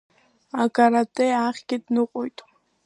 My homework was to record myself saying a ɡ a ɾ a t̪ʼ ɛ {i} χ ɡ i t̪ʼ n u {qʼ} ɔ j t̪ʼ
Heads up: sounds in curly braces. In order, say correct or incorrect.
incorrect: a, correct

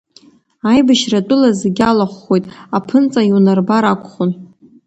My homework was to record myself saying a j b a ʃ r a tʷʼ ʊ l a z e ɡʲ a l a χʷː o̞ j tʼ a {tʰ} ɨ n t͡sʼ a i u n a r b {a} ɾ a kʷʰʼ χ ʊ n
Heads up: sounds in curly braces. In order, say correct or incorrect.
incorrect: pʰ, correct

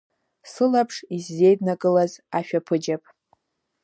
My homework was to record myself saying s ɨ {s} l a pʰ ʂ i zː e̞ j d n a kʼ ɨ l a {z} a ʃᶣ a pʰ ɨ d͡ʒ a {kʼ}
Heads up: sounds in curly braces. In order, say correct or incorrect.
incorrect: none, correct, incorrect: pʼ

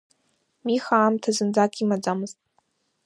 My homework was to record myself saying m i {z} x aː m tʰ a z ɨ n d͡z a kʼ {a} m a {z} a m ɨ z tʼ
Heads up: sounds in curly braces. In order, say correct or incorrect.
incorrect: none, incorrect: i, incorrect: d͡z

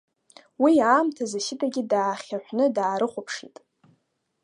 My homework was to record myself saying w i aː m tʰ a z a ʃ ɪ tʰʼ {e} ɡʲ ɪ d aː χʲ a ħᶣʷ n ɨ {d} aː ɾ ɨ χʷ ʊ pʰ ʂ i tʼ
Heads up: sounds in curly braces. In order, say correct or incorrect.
incorrect: a, correct

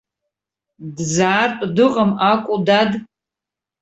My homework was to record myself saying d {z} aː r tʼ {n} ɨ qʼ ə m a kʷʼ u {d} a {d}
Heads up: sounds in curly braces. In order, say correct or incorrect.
correct, incorrect: d, correct, correct

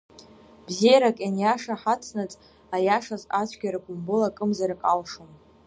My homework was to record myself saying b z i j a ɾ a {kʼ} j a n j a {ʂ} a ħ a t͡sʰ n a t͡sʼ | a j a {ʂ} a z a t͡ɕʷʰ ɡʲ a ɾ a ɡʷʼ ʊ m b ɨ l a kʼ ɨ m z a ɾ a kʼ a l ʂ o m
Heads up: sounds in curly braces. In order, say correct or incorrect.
correct, correct, correct

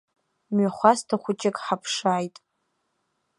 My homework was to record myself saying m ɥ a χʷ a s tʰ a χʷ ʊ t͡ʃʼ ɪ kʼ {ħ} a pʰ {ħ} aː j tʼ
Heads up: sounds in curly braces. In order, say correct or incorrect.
correct, incorrect: ʂ

